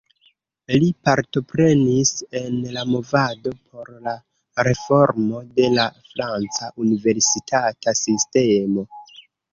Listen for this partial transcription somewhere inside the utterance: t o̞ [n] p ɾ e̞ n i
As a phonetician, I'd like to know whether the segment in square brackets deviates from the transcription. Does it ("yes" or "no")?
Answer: yes